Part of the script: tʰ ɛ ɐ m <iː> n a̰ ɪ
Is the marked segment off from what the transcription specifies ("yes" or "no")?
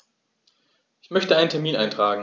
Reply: no